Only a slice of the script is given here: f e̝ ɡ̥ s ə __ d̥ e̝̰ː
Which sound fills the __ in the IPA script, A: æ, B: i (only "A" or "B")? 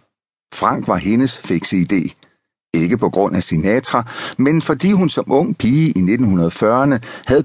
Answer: B